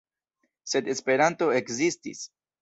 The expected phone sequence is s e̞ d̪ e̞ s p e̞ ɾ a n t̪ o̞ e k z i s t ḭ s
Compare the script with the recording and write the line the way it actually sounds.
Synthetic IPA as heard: s e̞ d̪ e̞ s p e̞ ɾ a n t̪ o̞ e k z i s t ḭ s